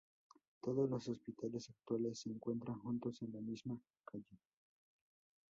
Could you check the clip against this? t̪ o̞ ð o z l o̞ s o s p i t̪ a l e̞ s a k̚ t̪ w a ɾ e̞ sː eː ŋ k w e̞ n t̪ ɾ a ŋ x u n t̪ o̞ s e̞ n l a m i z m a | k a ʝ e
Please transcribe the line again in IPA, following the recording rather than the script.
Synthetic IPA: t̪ o̞ ð o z l o̞ s o s p i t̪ a l e̞ s a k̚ t̪ w a l e̞ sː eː ŋ k w e̞ n t̪ ɾ a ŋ x u n t̪ o̞ s e̞ n l a m i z m a | k a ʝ e